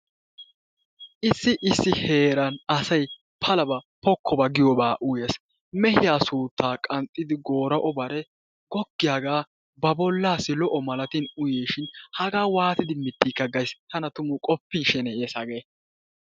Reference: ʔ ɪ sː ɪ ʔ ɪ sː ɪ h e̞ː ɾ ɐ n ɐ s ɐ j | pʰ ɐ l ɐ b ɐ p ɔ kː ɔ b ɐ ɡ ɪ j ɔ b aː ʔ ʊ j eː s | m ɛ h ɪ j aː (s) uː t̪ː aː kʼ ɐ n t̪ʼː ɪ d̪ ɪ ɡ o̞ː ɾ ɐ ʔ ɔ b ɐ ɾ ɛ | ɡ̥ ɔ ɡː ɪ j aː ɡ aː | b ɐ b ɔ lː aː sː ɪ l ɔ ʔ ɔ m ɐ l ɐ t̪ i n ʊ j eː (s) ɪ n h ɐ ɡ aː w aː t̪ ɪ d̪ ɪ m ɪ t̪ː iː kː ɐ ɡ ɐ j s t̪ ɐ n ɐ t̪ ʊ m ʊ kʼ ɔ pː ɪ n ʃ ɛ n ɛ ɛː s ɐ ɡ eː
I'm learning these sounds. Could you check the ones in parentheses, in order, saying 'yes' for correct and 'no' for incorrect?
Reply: yes, no

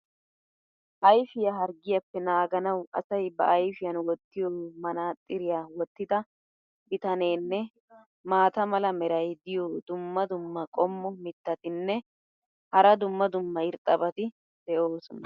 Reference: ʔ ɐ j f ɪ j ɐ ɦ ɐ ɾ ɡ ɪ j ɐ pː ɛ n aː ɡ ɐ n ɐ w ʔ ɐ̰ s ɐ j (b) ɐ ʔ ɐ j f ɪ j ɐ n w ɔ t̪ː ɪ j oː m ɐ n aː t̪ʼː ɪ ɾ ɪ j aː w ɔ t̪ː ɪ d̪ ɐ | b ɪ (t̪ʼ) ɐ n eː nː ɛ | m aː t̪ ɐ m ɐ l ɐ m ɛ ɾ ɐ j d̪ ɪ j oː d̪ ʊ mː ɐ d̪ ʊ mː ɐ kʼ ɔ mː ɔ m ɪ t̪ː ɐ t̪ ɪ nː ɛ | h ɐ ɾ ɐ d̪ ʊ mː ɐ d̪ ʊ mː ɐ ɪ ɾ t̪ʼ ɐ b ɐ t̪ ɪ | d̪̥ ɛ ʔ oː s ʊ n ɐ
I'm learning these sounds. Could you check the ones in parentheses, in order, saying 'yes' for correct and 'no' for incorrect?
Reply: yes, no

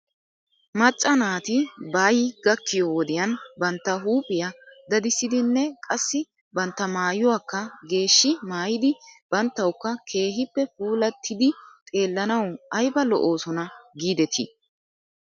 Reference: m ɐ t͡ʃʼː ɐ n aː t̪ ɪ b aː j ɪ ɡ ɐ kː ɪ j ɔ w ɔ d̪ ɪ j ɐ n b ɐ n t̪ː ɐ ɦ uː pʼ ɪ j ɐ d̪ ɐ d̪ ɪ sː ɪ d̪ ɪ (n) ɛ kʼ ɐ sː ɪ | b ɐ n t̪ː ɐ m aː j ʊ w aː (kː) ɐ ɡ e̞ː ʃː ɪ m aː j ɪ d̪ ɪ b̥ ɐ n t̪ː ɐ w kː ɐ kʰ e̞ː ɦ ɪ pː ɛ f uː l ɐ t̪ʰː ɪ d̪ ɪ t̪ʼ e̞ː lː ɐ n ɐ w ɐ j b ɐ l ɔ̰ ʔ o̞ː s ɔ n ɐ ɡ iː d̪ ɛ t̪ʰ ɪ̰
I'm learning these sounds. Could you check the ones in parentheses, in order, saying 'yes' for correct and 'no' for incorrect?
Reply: no, yes

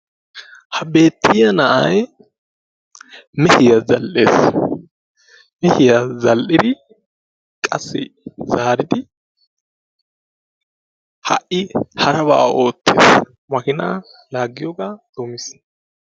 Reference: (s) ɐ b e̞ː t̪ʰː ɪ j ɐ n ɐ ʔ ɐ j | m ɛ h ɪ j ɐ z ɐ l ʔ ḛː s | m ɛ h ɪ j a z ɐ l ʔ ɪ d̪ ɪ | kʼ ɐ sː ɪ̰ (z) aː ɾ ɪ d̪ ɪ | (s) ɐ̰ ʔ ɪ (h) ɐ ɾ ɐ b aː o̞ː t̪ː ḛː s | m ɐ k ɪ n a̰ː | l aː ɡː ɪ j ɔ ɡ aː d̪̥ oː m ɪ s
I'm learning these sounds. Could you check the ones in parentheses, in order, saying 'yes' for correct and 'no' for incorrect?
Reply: no, yes, no, yes

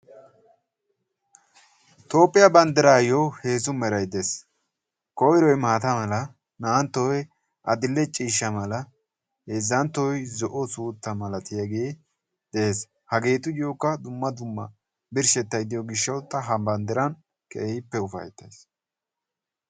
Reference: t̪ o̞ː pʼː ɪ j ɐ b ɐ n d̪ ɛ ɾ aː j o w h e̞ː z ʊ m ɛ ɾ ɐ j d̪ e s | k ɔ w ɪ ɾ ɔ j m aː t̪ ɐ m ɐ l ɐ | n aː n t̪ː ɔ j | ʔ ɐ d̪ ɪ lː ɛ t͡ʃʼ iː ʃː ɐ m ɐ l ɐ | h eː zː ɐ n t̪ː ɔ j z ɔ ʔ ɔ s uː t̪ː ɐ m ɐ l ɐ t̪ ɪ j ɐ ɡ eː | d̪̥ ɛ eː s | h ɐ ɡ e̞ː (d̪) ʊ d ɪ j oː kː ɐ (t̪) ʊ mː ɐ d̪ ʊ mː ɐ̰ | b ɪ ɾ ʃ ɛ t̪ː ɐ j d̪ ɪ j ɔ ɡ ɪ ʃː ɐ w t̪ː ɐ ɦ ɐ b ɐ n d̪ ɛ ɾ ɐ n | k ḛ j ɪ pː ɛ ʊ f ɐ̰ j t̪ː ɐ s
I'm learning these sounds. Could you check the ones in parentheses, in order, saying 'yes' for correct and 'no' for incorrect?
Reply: no, no

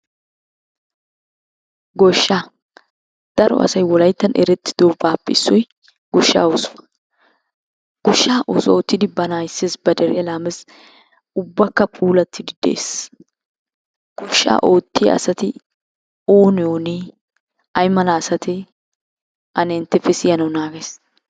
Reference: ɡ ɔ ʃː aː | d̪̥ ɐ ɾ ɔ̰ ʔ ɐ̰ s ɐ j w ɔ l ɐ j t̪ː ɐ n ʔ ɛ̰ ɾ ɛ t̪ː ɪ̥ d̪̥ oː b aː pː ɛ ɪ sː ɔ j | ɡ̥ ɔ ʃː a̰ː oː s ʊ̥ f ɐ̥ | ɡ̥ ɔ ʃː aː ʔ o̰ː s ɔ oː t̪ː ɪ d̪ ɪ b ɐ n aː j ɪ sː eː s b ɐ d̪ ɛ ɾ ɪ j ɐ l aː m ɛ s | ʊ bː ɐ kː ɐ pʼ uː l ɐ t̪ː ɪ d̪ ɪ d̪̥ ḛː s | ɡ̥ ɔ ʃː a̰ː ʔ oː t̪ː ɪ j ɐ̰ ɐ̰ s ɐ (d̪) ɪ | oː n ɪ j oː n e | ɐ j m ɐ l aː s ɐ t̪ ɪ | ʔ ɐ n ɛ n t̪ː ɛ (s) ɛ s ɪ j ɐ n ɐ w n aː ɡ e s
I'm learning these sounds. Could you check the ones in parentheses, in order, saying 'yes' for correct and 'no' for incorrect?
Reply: no, no

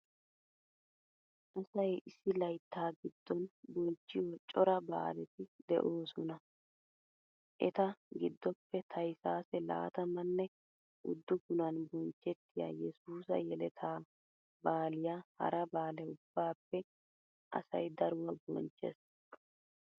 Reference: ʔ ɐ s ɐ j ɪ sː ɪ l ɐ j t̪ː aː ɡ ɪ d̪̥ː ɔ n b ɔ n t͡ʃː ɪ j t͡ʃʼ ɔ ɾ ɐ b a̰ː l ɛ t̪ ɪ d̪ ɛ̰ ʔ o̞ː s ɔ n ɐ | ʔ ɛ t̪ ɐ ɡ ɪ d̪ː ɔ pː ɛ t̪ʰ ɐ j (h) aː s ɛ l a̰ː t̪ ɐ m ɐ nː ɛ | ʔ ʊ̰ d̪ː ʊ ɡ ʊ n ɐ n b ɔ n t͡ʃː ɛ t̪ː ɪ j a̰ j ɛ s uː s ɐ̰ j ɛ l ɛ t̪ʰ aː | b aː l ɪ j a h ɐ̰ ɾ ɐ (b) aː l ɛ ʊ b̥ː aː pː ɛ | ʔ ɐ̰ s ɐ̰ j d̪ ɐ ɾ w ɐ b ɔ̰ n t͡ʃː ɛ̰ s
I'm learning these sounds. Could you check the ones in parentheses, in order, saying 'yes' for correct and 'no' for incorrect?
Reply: no, yes

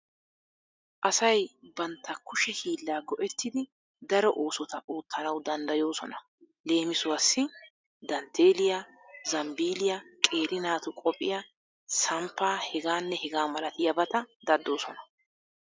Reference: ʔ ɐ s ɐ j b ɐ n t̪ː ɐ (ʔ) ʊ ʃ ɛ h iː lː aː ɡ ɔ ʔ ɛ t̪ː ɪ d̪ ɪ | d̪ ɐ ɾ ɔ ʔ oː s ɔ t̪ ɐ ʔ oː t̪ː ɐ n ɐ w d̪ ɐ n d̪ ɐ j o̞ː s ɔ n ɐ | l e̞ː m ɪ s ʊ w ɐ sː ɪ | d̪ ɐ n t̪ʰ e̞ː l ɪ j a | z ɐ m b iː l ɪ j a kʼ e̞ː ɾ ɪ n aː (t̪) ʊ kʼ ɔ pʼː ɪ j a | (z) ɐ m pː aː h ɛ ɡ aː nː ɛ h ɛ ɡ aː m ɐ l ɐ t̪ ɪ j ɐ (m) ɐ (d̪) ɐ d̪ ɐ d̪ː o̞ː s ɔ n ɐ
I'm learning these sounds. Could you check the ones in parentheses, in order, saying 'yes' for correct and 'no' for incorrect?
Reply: no, yes, no, no, no

